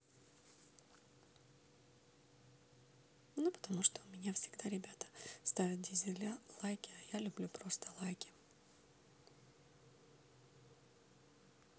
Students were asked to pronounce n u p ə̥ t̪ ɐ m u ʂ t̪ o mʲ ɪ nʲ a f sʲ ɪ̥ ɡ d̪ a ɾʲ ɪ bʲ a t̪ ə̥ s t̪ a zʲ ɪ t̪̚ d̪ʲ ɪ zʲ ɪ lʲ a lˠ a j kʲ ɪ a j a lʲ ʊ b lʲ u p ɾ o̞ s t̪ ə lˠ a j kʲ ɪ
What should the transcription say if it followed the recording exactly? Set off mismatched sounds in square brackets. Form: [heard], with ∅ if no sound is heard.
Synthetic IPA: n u p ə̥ t̪ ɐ m u ʂ t̪ o mʲ ɪ nʲ a f sʲ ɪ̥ ɡ d̪ a ɾʲ ɪ bʲ a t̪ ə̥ s t̪ a [vʲ] ɪ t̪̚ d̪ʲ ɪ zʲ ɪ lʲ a lˠ a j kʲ ɪ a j a lʲ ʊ b lʲ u p ɾ o̞ s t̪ ə lˠ a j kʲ ɪ